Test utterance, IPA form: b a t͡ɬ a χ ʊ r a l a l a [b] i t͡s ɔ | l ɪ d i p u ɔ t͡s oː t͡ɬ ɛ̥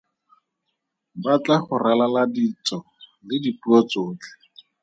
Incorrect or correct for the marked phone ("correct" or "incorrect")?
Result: incorrect